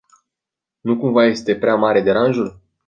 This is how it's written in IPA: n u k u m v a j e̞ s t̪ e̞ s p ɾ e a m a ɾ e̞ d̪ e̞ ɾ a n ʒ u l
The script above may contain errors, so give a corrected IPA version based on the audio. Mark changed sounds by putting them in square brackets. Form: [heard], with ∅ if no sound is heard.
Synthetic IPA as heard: n u k u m v a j e̞ s t̪ e̞ [∅] p ɾ e a m a ɾ e̞ d̪ e̞ ɾ a n ʒ u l